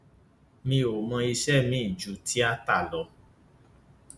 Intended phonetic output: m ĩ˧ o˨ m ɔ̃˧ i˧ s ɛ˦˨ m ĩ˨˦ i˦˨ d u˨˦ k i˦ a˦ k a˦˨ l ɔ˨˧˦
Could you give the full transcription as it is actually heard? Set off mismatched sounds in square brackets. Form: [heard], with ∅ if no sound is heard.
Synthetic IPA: m ĩ˧ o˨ m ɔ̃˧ i˧ [ʃ] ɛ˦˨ m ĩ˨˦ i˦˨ [d͡ʒ] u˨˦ [t] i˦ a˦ [t] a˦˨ l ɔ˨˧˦